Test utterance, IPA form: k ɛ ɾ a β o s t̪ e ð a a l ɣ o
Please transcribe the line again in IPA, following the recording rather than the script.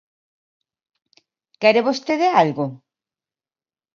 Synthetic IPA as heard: k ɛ ɾ e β o s t̪ e ð e a l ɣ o

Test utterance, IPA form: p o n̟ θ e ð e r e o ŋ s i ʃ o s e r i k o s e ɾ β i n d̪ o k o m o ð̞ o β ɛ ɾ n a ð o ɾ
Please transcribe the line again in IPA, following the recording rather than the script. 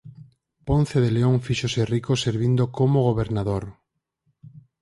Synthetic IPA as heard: p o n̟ θ e ð e l e o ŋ f i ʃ o s e r i k o s e ɾ β i n d̪ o k o m o ɣ̞ o β e ɾ n a ð o ɾ

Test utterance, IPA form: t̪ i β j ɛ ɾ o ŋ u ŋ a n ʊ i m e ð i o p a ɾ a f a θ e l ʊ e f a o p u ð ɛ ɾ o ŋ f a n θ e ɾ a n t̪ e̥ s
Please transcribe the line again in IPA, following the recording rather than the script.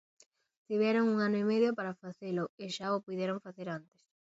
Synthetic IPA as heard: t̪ i β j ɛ ɾ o ŋ u ŋ a n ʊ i m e ð j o p a ɾ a f a θ e l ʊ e ʃ a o p u ð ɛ ɾ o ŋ f a θ e ɾ a n t̪ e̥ s

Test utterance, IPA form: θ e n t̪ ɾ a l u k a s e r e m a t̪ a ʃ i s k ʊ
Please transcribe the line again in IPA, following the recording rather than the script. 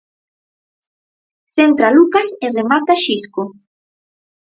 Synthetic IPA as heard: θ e n t̪ ɾ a l u k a s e r e m a t̪ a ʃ i s k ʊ

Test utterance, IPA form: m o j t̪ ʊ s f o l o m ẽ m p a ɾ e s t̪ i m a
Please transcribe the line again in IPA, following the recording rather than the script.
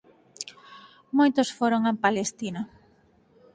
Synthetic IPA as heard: m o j t̪ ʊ s f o ɾ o ŋ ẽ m p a l e s t̪ i n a

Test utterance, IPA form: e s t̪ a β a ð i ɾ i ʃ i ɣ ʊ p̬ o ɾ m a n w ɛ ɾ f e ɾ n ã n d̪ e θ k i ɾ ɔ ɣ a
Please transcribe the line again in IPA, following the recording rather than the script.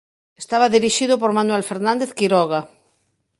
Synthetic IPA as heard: e s t̪ a β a ð i ɾ i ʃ i ð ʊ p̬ o ɾ m a n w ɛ l f e ɾ n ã n d̪ e θ k i ɾ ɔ ɣ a

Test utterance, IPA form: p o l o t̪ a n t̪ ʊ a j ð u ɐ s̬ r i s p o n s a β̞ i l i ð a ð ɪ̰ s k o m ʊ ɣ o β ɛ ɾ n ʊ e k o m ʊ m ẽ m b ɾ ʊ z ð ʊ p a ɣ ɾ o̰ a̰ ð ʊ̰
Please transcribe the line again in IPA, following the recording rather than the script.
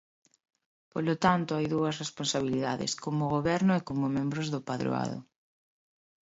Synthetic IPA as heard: p o l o t̪ a n t̪ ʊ a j ð u ɐ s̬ r e s p o n s a β̞ i l i ð a ð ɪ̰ s k o m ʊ ɣ o β ɛ ɾ n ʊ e k o m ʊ m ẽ m b ɾ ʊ z ð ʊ p a ð ɾ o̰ a̰ ð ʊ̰

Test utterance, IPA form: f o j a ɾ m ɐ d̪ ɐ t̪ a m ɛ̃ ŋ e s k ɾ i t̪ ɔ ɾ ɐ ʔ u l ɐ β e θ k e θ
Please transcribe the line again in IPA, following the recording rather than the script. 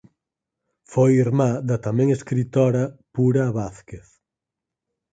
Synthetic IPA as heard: f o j i ɾ m a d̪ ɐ t̪ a m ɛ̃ ŋ e s k ɾ i t̪ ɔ ɾ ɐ p u ɾ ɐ β a θ k e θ

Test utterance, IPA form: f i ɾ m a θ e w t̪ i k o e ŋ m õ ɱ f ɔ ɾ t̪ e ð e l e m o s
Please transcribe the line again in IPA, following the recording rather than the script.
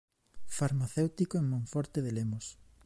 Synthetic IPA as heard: f a ɾ m a θ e w t̪ i k o e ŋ m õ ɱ f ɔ ɾ t̪ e ð e l e m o s

